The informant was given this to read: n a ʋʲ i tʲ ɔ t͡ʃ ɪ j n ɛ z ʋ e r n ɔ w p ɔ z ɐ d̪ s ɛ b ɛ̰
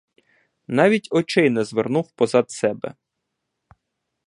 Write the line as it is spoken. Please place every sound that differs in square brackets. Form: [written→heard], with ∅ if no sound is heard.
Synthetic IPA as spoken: n [a→ɑ] ʋʲ i tʲ ɔ t͡ʃ ɪ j n ɛ z ʋ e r n [ɔ→u] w p ɔ z [ɐ→ɑ] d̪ s ɛ b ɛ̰